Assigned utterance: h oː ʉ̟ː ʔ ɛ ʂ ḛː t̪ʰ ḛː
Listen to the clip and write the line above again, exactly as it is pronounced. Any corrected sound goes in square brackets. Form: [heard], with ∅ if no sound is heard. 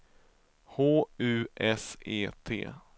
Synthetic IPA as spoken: h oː ʉ̟ː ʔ ɛ [s] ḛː t̪ʰ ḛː